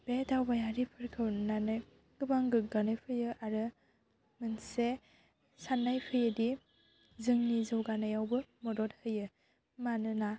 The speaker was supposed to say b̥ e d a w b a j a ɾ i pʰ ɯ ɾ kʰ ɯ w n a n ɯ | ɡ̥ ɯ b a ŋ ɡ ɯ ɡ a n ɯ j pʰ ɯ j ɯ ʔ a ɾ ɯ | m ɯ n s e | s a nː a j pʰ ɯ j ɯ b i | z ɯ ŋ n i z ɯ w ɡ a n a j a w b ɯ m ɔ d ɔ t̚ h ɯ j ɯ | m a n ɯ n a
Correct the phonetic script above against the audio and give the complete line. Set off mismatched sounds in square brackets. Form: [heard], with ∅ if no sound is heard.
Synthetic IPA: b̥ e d a w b a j a ɾ i pʰ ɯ ɾ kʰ ɯ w n a n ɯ | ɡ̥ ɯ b a ŋ ɡ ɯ ɡ a n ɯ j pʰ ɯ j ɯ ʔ a ɾ ɯ | m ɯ n s e | s a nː a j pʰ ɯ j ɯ [d] i | z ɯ ŋ n i z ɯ w ɡ a n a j a w b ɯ m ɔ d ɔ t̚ h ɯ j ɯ | m a n ɯ n a